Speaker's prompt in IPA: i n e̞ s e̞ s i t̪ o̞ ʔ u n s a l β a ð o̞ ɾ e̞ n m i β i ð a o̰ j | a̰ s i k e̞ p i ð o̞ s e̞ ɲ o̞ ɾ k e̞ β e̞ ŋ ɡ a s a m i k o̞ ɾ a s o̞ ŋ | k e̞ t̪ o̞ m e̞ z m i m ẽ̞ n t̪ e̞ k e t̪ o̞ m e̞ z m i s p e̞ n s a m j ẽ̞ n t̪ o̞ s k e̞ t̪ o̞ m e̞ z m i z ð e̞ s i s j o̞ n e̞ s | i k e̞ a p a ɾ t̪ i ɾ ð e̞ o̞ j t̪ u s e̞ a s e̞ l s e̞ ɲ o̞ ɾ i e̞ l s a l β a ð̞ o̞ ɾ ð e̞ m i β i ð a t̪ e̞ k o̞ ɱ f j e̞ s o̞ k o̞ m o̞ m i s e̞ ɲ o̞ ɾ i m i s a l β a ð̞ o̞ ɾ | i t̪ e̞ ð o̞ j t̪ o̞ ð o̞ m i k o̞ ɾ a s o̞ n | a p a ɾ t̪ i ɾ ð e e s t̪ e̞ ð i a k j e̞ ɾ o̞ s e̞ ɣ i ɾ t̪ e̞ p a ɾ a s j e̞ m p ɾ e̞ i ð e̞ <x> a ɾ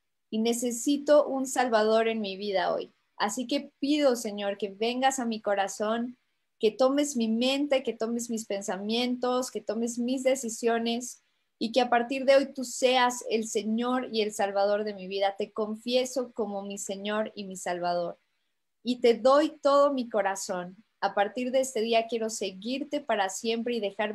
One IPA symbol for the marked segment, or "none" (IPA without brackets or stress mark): x